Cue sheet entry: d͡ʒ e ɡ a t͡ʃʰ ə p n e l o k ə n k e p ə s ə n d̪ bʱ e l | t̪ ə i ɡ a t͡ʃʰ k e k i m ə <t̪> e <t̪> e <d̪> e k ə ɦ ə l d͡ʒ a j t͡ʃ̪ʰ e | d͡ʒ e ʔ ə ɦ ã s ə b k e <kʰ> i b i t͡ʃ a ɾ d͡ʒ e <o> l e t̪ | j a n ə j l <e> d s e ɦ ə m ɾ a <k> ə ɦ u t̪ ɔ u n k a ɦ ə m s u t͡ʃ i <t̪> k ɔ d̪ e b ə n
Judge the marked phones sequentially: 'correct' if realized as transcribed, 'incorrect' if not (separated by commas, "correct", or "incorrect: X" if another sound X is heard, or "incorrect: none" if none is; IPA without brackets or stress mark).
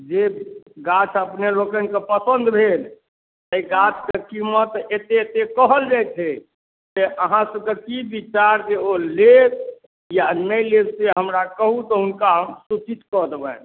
correct, correct, incorrect: t̪, incorrect: k, correct, correct, correct, correct